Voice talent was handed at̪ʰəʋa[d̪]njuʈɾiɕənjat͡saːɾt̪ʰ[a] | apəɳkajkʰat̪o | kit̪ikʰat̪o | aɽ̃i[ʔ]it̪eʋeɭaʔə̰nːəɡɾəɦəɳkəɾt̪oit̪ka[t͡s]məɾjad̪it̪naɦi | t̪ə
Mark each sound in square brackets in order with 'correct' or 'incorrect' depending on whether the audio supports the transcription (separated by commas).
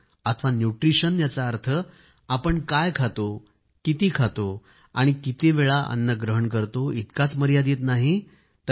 incorrect, incorrect, incorrect, correct